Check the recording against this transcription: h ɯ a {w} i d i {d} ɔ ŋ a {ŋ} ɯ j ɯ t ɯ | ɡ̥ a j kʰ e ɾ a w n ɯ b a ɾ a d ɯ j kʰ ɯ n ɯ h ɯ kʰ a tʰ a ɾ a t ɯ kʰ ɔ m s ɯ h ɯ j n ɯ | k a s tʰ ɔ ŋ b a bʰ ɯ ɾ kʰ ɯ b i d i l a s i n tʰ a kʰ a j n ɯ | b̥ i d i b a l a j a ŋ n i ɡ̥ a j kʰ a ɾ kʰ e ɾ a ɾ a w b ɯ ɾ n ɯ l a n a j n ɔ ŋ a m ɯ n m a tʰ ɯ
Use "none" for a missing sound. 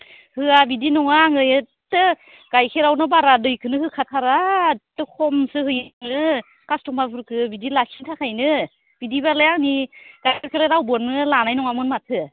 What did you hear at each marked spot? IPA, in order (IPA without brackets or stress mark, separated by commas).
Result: b, n, ŋ